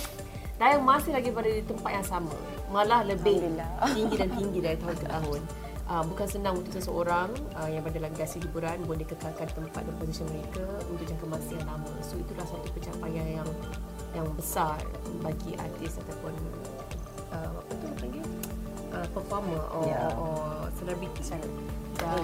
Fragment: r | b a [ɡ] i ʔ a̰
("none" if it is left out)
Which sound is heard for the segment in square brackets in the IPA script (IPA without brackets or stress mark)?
ɡ